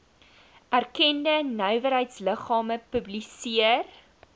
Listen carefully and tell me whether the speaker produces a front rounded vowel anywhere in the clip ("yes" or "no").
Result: yes